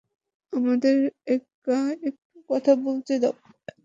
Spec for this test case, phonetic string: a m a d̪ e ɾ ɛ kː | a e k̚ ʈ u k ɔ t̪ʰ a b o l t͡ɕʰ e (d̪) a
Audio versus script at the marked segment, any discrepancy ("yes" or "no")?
no